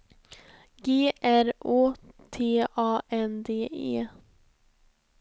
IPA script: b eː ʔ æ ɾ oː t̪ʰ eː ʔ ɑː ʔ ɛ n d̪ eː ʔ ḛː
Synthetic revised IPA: ɡ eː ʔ æ ɾ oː t̪ʰ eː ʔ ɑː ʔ ɛ n d̪ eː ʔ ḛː